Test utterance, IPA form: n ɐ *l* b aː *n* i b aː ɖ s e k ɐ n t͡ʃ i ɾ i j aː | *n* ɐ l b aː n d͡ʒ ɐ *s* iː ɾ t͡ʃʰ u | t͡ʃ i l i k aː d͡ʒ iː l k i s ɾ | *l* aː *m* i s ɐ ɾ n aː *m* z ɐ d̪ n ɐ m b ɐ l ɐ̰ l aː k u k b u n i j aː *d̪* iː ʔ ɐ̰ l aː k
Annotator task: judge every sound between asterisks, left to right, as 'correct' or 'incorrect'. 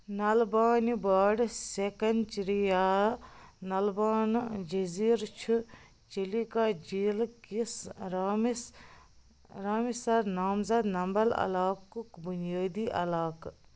correct, correct, correct, incorrect, incorrect, correct, correct, correct

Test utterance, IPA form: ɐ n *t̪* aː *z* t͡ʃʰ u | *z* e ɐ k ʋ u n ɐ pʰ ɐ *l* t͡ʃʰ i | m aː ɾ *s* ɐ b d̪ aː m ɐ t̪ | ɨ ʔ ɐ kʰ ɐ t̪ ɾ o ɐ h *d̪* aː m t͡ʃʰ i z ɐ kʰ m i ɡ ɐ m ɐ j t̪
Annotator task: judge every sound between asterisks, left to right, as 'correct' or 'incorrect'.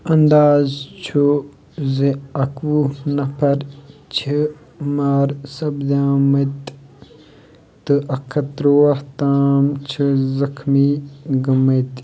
incorrect, correct, correct, incorrect, correct, incorrect

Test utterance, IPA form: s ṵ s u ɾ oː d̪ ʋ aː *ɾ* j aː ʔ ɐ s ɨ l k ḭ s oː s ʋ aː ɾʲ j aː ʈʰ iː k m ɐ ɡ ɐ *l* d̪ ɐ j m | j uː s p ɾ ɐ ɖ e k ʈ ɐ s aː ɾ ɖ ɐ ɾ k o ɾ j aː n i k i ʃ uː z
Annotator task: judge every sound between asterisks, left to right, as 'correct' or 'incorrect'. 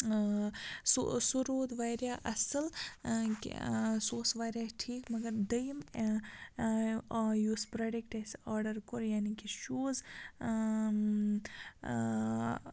correct, incorrect

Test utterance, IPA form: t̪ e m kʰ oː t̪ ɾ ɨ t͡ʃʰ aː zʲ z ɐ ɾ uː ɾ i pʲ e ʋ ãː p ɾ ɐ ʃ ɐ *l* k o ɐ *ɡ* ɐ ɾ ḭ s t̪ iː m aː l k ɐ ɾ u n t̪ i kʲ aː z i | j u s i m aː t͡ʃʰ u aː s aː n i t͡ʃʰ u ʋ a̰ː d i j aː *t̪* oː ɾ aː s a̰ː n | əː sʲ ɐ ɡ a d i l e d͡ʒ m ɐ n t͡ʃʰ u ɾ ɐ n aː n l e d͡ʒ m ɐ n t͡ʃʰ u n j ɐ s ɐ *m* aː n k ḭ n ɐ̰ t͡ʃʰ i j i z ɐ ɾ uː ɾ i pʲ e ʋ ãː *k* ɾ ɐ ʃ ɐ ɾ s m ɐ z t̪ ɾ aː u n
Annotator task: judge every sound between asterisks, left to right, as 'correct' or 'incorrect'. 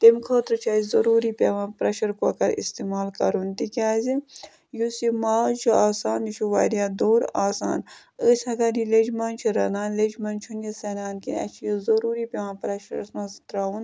incorrect, incorrect, incorrect, incorrect, incorrect

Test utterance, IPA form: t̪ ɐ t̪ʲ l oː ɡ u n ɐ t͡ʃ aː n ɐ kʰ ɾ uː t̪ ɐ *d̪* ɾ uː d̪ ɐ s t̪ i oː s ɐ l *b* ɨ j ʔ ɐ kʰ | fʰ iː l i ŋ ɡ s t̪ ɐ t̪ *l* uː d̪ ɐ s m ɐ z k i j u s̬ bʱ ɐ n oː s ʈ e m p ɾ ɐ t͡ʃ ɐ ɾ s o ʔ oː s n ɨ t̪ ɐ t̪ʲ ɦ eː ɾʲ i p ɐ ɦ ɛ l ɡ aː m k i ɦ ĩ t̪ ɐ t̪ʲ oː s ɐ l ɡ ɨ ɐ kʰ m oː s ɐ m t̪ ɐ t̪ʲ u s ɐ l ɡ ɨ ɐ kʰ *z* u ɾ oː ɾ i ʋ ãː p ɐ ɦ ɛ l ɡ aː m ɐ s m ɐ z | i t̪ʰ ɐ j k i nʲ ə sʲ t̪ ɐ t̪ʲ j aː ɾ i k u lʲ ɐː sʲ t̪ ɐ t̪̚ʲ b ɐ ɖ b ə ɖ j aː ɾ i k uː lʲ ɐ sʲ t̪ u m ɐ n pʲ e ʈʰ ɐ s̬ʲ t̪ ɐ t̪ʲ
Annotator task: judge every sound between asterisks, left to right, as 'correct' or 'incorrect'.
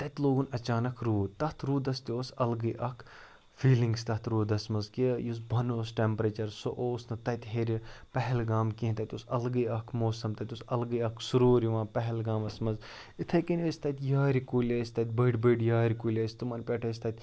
incorrect, incorrect, incorrect, incorrect

